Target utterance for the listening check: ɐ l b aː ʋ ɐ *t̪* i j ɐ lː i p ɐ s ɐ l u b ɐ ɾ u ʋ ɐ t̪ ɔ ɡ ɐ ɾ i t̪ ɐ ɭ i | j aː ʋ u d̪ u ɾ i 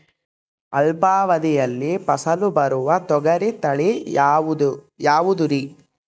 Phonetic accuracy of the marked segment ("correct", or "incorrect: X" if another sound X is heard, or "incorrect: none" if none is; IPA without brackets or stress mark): incorrect: d̪